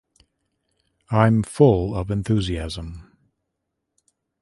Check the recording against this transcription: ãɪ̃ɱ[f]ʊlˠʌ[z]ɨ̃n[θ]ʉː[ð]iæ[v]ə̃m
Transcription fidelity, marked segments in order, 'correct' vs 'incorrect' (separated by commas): correct, incorrect, correct, incorrect, incorrect